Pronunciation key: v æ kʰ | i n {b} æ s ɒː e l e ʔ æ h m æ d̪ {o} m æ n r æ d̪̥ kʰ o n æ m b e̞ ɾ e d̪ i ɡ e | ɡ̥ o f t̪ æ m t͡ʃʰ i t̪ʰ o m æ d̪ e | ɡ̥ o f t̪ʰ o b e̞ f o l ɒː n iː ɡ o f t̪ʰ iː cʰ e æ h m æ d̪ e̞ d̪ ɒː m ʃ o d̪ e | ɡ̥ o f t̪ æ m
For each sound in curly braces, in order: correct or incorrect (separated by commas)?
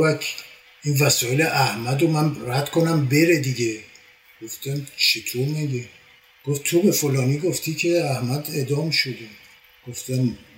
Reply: incorrect, correct